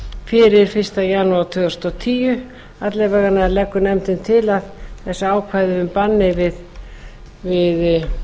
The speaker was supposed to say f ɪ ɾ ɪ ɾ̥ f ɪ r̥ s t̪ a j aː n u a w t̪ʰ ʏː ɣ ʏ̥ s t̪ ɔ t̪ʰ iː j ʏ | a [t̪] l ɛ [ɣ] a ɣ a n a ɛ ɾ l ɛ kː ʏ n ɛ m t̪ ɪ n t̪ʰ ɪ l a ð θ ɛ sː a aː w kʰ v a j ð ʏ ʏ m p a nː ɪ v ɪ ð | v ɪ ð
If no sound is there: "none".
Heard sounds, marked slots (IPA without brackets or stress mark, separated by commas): t̪, v